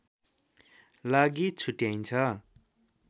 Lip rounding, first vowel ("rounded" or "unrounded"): unrounded